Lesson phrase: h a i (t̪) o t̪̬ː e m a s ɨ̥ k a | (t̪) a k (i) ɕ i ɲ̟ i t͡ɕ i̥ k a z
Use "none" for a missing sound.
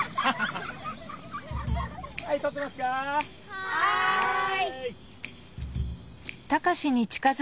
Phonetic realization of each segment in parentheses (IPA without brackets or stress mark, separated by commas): t̪, t̪, a